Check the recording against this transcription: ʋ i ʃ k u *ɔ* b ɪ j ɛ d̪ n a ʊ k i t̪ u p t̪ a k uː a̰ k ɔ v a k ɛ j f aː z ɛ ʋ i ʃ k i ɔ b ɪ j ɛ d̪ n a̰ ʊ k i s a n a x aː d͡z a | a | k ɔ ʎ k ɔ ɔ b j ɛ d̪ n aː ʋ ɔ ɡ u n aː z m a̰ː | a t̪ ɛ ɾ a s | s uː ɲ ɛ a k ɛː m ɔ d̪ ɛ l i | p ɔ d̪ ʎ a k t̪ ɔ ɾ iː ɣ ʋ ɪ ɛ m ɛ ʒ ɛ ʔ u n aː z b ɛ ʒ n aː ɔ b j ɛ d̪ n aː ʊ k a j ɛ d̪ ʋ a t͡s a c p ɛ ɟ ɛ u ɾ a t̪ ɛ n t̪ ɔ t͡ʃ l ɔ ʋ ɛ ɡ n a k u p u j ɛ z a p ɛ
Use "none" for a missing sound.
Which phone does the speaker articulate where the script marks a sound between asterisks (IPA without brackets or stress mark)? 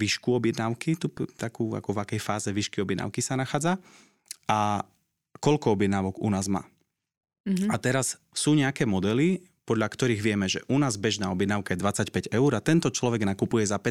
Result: ɔ